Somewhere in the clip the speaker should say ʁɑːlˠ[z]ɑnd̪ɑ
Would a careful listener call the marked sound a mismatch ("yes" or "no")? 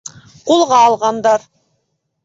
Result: yes